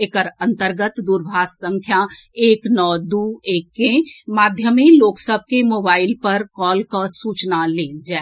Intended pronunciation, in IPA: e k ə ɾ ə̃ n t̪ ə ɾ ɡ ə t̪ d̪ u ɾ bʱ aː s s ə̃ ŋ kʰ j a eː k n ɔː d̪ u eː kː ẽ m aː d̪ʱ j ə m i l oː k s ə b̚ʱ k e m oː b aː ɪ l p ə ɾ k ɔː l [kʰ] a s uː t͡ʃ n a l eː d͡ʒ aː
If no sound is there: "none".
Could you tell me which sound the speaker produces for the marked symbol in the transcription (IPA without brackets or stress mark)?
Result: k